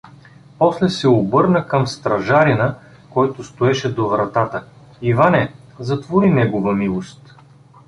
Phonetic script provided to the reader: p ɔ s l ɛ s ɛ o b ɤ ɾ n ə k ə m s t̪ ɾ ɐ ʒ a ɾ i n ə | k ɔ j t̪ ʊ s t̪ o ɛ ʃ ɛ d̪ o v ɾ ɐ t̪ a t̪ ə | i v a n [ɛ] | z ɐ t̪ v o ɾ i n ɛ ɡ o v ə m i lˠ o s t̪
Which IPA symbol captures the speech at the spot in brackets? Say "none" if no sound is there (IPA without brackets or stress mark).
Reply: ɛ